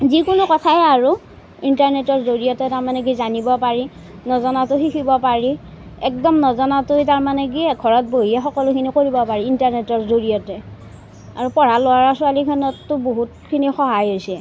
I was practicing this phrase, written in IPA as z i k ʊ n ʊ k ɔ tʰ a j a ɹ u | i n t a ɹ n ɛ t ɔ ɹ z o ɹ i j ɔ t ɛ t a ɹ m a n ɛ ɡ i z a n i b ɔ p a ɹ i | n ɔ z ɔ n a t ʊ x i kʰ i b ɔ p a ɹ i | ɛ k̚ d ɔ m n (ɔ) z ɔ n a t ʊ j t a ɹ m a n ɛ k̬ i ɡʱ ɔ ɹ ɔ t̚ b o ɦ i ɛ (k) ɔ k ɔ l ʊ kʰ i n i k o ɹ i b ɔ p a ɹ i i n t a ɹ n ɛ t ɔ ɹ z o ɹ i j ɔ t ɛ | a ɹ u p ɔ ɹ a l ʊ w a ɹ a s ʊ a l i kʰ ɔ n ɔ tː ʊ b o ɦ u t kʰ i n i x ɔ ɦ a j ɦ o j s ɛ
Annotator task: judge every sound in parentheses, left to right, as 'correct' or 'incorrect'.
correct, incorrect: x

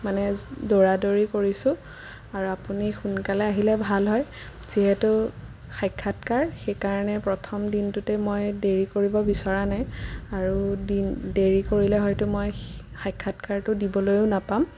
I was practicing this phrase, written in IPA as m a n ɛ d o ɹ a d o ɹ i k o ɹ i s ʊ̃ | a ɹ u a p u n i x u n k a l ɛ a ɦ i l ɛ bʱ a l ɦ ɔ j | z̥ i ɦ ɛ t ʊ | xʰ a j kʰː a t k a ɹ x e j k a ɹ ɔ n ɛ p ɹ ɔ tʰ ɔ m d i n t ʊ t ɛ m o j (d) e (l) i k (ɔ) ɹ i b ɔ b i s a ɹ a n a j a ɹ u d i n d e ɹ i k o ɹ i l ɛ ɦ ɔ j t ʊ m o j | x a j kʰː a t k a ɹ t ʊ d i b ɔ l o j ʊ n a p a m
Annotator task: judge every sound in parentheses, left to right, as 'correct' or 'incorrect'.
correct, incorrect: ɹ, incorrect: o

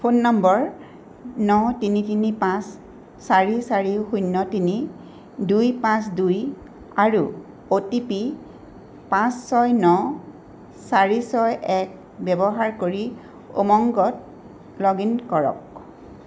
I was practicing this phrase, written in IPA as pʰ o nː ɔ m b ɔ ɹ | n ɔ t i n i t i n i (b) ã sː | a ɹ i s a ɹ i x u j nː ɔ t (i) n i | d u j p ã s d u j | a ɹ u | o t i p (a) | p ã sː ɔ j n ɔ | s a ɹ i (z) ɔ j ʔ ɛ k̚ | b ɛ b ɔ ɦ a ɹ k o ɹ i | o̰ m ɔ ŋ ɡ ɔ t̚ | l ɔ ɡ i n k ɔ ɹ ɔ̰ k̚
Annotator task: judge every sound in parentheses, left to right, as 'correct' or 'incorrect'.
incorrect: p, correct, incorrect: i, incorrect: s

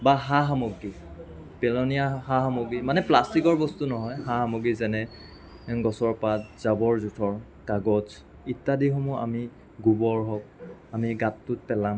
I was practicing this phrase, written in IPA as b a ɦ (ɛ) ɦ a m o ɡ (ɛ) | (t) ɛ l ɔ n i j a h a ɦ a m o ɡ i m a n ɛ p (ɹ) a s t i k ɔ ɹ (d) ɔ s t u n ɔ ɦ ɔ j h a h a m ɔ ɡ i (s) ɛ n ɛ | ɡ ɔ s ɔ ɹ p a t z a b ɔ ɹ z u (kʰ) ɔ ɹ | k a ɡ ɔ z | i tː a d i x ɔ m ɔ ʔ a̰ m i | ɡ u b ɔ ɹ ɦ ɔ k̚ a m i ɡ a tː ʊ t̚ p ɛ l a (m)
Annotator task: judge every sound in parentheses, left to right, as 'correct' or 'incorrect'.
incorrect: a, incorrect: i, incorrect: p, incorrect: l, incorrect: b, incorrect: z, incorrect: tʰ, correct

